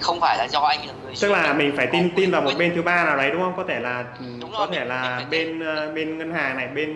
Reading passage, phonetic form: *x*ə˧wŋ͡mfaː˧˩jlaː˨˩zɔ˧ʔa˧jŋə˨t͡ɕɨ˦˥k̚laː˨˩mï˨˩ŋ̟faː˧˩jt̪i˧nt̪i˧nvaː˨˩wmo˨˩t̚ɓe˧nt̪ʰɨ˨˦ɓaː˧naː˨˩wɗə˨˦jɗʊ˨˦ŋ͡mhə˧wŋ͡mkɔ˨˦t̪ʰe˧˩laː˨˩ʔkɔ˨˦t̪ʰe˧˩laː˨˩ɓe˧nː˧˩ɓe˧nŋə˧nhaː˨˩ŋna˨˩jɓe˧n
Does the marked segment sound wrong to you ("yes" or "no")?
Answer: no